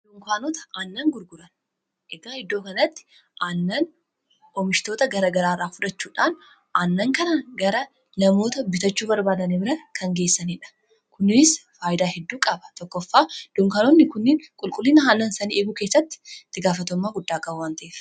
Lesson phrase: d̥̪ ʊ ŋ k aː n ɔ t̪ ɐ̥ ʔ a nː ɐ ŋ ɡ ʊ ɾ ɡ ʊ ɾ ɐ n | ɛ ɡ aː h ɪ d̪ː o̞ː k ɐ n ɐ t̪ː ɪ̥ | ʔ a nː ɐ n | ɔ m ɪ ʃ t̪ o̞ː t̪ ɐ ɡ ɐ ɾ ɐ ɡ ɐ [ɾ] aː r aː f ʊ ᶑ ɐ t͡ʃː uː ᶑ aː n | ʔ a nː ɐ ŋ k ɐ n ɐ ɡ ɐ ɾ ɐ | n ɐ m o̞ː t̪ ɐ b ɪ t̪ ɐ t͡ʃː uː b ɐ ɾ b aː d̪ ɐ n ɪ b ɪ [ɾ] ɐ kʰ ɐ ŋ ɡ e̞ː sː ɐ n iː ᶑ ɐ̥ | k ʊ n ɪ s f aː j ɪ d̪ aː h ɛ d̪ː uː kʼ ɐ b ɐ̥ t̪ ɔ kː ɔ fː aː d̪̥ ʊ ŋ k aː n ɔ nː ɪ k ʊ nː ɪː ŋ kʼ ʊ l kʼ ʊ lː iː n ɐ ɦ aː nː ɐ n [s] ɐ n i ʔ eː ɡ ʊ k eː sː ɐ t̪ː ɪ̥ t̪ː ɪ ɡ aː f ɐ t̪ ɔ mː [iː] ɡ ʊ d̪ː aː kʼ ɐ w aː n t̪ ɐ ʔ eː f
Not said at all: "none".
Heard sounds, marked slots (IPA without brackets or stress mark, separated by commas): ɾ, ɾ, s, aː